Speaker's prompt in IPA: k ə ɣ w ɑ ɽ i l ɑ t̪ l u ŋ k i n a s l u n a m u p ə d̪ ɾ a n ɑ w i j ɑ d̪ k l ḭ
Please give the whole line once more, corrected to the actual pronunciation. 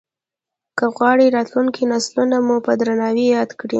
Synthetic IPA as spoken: k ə ɣ w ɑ ɽ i ɾ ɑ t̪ l u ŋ k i n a s l u n a m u p ə d̪ ɾ a n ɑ w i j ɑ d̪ k ɽ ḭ